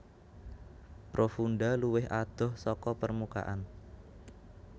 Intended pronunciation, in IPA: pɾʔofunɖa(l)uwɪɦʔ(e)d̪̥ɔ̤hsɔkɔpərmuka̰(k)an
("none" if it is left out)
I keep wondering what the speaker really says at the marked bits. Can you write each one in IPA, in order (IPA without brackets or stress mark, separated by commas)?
l, a, ʔ